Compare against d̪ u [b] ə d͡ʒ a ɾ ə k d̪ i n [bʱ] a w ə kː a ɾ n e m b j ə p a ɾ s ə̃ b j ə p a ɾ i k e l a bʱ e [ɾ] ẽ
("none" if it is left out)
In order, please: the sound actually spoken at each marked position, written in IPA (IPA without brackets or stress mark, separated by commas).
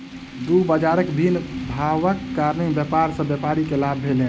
b, bʱ, l